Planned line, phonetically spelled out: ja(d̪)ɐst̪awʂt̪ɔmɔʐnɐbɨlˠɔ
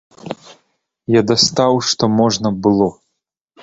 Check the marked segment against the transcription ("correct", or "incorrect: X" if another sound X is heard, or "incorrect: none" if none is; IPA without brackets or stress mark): correct